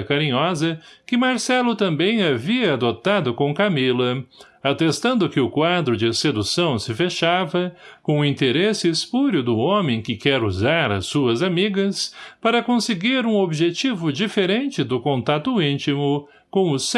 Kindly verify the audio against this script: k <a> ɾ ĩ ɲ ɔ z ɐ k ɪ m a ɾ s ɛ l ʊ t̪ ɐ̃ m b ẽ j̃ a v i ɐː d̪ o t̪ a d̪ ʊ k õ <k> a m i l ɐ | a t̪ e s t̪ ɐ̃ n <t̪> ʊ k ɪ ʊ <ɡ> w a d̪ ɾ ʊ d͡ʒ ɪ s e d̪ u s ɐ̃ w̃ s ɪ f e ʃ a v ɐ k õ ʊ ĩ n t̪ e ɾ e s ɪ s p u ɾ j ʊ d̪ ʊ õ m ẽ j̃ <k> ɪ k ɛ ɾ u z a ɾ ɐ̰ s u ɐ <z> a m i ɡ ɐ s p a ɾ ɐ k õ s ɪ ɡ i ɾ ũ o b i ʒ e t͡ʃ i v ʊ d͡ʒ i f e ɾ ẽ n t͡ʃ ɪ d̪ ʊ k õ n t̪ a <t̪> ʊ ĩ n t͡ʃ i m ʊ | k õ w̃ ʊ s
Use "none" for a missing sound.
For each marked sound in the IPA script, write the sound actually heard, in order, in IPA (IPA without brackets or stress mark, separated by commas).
a, k, d̪, k, k, z, t̪